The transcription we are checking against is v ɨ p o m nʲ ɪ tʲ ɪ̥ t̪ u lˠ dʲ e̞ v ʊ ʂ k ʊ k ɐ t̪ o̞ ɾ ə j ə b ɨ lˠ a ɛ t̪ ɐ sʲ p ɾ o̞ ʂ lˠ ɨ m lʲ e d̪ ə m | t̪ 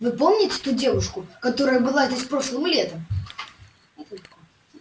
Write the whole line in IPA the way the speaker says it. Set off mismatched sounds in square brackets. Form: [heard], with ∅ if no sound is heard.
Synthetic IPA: v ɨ p o m nʲ ɪ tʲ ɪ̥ t̪ u [∅] dʲ e̞ v ʊ ʂ k ʊ k ɐ t̪ o̞ ɾ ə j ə b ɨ lˠ a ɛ t̪ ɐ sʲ p ɾ o̞ ʂ lˠ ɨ m lʲ e [t̪] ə m | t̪